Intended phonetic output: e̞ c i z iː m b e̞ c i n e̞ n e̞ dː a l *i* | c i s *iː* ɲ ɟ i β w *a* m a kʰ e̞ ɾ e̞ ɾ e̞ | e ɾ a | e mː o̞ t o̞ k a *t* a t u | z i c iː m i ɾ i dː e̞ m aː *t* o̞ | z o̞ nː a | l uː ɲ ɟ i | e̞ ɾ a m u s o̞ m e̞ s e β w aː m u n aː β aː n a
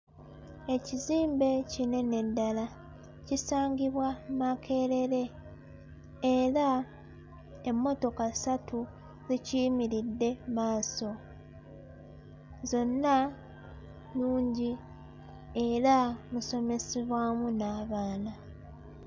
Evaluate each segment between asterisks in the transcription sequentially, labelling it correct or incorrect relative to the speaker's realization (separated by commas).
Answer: incorrect, incorrect, correct, incorrect, incorrect